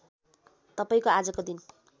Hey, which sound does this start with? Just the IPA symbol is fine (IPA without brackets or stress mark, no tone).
t̪